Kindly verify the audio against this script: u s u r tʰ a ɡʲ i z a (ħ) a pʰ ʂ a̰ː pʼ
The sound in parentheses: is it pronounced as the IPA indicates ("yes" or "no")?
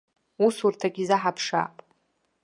yes